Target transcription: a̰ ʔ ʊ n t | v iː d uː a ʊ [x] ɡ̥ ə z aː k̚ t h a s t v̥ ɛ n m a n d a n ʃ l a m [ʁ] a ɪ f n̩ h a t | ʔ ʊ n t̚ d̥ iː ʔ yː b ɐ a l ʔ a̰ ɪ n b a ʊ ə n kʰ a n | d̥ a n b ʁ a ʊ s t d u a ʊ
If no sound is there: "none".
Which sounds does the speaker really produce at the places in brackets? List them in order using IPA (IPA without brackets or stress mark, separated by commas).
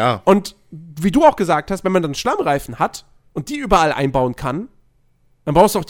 x, ʁ